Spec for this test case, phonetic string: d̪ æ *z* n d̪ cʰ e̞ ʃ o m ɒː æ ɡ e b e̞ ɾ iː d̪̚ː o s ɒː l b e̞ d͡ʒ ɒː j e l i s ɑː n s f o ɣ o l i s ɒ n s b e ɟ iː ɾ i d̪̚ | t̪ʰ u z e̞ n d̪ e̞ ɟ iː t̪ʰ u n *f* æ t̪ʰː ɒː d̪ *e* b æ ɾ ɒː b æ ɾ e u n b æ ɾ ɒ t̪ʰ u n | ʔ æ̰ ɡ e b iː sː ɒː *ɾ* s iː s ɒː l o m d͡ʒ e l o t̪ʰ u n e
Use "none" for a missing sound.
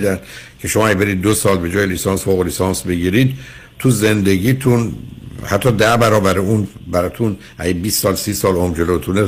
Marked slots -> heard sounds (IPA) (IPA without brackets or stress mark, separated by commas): none, h, æ, l